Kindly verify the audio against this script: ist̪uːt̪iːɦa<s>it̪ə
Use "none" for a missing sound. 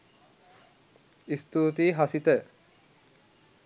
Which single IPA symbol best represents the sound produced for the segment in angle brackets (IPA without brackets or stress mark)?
s